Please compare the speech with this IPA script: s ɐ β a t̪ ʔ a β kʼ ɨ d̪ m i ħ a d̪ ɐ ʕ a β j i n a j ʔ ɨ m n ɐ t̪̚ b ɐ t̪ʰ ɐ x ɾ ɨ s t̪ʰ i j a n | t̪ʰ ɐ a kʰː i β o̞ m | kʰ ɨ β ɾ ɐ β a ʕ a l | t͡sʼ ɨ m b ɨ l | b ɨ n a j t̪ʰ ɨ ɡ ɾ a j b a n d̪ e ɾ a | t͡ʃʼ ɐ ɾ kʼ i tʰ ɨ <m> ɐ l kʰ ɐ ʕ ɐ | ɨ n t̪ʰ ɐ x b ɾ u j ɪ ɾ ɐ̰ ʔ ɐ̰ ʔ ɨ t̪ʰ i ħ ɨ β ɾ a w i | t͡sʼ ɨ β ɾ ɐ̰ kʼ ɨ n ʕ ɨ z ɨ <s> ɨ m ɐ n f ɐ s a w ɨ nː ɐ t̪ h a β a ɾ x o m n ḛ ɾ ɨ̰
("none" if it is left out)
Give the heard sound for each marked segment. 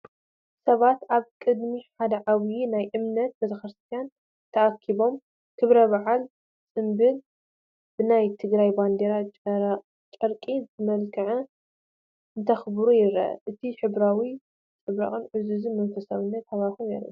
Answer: m, z

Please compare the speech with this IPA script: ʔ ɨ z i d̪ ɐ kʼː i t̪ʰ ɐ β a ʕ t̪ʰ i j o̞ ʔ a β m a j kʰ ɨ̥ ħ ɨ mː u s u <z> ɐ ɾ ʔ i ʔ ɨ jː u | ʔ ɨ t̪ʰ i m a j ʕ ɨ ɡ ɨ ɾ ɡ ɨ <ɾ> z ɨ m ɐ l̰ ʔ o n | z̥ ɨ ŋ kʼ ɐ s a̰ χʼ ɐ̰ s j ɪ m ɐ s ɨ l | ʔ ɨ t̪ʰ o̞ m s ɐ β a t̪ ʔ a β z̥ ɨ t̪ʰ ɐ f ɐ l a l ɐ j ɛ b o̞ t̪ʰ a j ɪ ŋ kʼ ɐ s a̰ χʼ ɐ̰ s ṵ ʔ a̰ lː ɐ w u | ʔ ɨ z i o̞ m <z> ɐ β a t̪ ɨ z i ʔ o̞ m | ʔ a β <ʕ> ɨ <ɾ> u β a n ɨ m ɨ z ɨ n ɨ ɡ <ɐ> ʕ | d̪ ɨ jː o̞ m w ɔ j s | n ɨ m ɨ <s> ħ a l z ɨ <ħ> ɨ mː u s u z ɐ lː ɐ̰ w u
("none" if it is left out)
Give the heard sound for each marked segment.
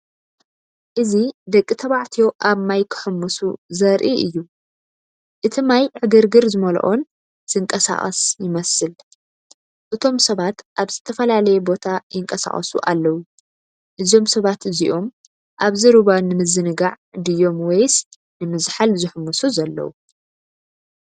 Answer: z, ɾ, s, z, ɾ, a, z, ħ

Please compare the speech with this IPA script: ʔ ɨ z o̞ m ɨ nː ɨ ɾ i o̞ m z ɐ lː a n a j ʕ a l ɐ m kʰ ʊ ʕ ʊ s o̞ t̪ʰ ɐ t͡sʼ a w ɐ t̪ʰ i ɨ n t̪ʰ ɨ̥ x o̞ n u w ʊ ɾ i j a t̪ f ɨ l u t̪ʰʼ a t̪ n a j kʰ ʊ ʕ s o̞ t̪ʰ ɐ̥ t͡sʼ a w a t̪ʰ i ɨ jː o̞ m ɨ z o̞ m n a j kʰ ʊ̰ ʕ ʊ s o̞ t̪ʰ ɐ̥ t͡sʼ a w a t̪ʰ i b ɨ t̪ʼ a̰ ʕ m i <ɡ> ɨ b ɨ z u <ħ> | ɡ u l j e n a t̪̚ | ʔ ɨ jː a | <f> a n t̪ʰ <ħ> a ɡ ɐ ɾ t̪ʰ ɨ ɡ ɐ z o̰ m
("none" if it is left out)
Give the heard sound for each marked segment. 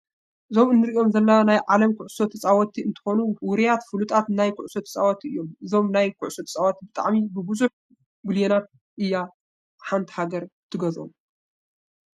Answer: b, ħ, ħ, h

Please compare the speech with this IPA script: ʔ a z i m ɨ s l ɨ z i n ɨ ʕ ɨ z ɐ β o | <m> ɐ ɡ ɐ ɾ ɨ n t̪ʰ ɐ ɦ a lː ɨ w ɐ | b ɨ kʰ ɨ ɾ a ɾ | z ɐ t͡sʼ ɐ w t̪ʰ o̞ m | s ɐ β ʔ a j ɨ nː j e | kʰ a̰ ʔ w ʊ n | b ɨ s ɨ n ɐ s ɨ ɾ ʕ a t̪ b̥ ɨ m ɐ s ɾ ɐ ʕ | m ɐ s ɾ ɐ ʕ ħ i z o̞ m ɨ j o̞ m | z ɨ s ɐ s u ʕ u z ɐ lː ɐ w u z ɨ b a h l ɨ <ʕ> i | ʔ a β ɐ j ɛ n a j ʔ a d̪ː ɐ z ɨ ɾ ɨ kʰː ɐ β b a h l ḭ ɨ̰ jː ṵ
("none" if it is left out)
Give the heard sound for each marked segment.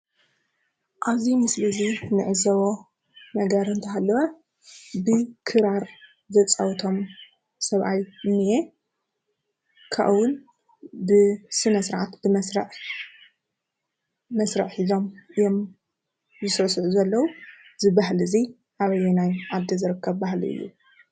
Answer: n, z

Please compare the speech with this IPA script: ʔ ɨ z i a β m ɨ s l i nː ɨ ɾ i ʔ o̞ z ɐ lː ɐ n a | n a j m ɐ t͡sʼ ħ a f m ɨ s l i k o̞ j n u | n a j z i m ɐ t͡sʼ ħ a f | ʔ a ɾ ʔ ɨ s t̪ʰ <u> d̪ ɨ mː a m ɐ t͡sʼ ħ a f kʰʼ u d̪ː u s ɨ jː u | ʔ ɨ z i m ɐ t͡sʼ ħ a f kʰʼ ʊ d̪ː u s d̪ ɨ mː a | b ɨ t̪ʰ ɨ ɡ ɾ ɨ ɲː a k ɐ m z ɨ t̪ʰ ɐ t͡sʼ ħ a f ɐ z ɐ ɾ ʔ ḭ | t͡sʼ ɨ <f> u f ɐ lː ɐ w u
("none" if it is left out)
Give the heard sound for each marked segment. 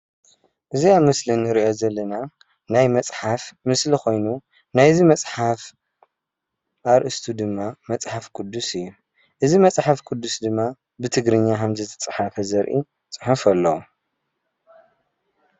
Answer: u, ħ

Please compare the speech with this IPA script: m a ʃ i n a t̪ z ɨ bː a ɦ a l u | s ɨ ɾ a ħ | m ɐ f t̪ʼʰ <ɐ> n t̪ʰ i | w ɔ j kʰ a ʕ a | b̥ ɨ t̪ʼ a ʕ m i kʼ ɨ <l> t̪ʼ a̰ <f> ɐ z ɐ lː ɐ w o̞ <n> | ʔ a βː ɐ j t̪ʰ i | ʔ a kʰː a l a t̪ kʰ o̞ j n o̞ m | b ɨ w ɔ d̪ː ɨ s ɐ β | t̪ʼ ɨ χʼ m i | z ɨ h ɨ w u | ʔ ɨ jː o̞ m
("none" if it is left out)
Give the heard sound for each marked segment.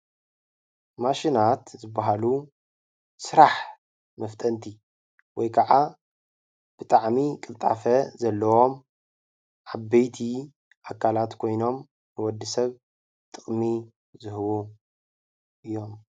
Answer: ɐ, l, f, m

